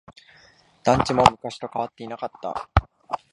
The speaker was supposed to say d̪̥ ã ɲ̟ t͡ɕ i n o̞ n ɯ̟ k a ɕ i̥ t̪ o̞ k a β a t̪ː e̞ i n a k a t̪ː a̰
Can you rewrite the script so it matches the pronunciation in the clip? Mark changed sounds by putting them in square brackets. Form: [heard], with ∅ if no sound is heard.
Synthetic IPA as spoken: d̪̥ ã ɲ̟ t͡ɕ i [m] o̞ [m] ɯ̟ k a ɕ i̥ t̪ o̞ k a β a t̪ː e̞ i n a k a t̪ː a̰